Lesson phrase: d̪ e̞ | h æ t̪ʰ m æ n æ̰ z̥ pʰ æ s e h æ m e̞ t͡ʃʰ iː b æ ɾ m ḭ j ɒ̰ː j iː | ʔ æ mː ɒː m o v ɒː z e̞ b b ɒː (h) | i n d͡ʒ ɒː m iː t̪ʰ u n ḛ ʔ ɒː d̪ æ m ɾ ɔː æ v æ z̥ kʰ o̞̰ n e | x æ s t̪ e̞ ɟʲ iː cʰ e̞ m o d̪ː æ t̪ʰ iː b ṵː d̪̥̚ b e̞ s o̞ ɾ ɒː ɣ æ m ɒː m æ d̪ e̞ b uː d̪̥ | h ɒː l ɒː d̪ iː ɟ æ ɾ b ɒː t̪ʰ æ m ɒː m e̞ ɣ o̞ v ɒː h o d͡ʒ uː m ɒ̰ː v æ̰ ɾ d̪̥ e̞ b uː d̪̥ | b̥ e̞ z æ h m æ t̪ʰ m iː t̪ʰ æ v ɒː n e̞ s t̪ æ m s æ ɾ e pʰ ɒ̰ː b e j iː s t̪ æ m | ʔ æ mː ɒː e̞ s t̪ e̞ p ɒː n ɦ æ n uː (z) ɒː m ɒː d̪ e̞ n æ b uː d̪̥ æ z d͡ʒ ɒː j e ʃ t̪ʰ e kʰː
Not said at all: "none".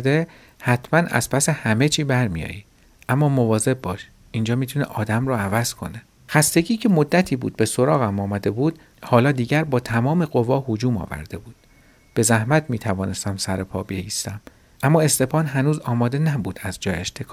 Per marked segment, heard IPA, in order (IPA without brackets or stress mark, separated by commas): ʃ, z